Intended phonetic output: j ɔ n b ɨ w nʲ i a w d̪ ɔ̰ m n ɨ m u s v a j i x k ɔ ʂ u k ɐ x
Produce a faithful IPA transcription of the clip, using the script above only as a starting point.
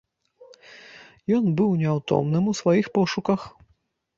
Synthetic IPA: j ɔ n b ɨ w nʲ ɛ a w t̪ ɔ̰ m n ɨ m u s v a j i x p ɔ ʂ u k ɐ x